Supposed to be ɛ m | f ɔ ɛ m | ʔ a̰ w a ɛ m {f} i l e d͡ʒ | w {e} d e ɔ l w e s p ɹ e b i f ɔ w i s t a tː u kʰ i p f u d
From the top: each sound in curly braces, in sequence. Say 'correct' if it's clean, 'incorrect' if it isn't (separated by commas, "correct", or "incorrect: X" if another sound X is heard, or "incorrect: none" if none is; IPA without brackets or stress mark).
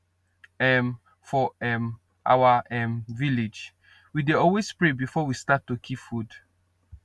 incorrect: v, incorrect: i